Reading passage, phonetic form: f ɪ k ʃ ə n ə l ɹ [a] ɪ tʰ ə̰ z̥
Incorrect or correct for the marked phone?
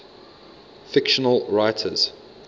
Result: correct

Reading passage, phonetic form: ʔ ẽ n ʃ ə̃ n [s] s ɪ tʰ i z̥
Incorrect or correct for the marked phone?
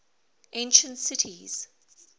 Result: incorrect: t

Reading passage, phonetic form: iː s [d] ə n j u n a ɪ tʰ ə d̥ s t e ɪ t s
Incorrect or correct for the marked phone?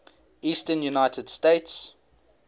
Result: incorrect: t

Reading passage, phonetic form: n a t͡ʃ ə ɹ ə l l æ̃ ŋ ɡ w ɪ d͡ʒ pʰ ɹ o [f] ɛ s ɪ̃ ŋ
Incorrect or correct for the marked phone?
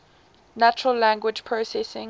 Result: incorrect: s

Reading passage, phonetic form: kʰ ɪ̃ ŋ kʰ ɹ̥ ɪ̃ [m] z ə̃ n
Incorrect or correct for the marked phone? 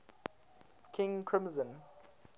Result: correct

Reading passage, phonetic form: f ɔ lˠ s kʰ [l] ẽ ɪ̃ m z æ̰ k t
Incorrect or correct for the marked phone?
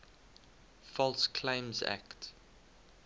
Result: correct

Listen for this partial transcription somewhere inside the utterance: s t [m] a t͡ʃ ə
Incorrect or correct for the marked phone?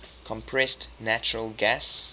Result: incorrect: n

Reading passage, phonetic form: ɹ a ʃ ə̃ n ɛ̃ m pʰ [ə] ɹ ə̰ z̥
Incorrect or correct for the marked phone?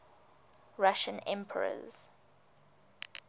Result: correct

